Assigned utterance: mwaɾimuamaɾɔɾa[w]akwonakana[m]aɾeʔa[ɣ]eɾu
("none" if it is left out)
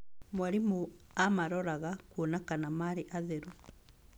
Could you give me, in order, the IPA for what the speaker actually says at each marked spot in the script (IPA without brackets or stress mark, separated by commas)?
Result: ɣ, m, ð